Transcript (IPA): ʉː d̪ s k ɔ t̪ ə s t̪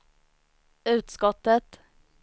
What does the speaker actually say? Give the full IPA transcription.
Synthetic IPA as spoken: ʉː t̪ s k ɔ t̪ ə t̪